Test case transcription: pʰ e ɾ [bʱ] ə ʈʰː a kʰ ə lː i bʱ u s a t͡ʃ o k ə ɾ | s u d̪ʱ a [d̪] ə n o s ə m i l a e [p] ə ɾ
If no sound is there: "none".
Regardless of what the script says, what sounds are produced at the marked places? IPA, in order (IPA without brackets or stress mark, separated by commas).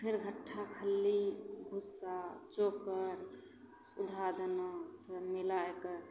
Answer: ɡʱ, d̪, k